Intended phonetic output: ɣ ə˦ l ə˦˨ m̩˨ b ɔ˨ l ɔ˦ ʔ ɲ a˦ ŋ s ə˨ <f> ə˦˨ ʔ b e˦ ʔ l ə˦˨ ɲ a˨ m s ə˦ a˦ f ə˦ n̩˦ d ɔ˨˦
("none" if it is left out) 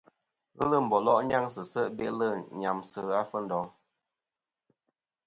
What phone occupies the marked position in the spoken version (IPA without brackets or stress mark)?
s